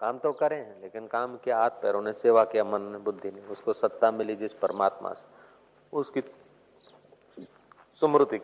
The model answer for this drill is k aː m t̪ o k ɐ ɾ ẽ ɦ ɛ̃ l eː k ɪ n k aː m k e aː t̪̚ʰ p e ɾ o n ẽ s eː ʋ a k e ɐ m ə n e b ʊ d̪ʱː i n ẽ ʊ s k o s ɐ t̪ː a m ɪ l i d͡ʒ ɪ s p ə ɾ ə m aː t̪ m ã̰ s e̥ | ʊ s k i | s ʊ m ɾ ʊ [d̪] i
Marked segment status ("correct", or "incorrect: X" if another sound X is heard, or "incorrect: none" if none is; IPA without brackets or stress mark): incorrect: t̪